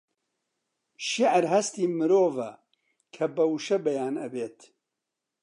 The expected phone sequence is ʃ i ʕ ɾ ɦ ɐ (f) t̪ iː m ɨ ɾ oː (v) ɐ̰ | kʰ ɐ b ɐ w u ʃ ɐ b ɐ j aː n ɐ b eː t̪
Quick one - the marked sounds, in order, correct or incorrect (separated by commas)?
incorrect, correct